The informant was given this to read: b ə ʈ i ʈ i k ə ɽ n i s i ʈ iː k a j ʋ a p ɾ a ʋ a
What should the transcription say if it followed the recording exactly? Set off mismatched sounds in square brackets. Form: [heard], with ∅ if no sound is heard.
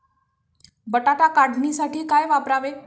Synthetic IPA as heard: b ə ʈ [a] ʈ [a] k [a] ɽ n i s [a] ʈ iː k a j ʋ a p ɾ a ʋ [e]